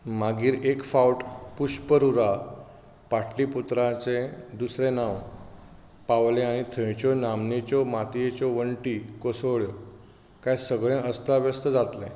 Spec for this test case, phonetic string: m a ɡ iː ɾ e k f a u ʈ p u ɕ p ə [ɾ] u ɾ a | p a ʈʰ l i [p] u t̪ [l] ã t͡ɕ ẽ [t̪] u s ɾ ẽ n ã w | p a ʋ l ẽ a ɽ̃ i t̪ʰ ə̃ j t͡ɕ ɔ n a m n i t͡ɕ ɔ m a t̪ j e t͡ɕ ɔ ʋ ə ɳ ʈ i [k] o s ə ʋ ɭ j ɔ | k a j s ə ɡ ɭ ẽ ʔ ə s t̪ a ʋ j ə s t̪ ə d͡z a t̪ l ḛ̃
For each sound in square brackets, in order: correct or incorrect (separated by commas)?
correct, correct, incorrect, incorrect, correct